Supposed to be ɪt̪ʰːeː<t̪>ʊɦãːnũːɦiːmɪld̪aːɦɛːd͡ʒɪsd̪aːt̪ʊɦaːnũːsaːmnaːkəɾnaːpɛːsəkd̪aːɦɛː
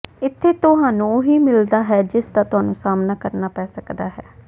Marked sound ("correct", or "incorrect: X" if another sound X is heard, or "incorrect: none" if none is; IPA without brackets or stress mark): correct